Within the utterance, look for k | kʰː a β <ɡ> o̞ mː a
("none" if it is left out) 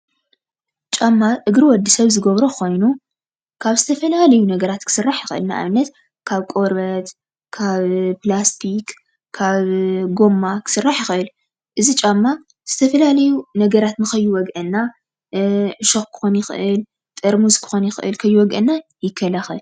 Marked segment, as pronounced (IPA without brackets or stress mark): ɡ